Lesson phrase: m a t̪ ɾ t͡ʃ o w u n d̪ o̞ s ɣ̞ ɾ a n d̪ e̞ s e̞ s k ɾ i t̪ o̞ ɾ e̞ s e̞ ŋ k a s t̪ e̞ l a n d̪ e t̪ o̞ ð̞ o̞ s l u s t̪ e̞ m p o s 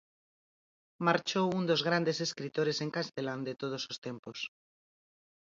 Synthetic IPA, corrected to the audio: m a ɾ t͡ʃ o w u n d̪ o̞ z ɣ̞ ɾ a n d̪ e̞ s e̞ s k ɾ i t̪ o̞ ɾ e̞ s e̞ ŋ k a s t̪ e̞ l a n d̪ e t̪ o̞ ð̞ o̞ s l o s t̪ e̞ m p o s